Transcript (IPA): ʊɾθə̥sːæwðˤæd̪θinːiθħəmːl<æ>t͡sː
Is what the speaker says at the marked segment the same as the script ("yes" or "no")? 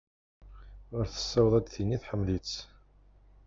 no